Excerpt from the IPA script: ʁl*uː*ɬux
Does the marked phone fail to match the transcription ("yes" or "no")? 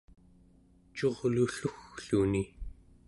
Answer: yes